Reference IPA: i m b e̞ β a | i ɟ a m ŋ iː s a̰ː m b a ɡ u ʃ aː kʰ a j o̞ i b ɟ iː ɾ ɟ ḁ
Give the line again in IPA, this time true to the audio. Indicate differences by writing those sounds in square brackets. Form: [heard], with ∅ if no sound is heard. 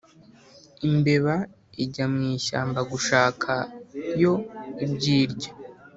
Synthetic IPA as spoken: i m b e̞ β a | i ɟ a m ŋ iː [ʃ] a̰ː m b a ɡ u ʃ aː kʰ a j o̞ i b ɟ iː ɾ ɟ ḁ